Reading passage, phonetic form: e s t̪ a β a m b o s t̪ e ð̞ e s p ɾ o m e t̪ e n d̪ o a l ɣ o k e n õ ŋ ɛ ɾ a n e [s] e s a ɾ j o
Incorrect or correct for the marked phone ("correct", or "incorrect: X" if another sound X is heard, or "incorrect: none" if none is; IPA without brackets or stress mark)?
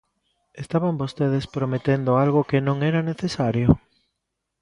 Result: incorrect: θ